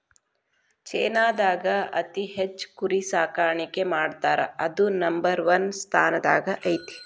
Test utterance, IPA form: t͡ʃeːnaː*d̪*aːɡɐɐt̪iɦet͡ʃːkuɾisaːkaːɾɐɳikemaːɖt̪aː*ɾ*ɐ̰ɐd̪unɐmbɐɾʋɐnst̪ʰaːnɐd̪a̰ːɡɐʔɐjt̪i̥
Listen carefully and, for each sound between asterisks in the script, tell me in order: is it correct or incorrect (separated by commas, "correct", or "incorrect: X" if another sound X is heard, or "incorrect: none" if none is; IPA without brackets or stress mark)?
correct, correct